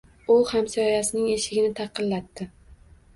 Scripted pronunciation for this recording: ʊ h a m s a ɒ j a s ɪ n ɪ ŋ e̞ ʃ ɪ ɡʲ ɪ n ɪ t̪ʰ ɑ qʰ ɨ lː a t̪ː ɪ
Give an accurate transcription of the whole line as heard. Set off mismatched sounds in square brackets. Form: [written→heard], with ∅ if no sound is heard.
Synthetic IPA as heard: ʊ h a m s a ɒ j a s ɪ n ɪ ŋ e̞ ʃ ɪ ɡʲ ɪ n ɪ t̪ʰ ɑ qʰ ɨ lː a t̪ː ɪ